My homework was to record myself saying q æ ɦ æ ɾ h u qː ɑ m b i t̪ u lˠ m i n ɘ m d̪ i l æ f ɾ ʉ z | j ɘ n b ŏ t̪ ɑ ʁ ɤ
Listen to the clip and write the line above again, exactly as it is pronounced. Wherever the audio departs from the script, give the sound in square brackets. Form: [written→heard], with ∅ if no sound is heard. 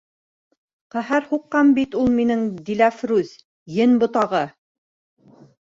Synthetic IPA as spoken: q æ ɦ æ ɾ h u qː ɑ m b i t̪ u lˠ m i n ɘ [m→ŋ] d̪ i l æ f ɾ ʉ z | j ɘ n b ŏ t̪ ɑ ʁ ɤ